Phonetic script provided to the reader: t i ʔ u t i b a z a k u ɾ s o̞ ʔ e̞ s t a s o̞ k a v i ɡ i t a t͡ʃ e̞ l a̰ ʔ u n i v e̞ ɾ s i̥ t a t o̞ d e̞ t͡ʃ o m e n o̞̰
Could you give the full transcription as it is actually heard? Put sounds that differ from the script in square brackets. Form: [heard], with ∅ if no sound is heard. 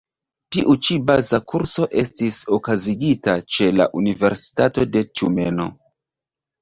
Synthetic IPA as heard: t i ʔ u [t͡ʃ] i b a z a k u ɾ s o̞ ʔ e̞ s t [i] s o̞ k a [z] i ɡ i t a t͡ʃ e̞ l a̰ ʔ u n i v e̞ ɾ s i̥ t a t o̞ d e̞ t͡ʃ [u] m e n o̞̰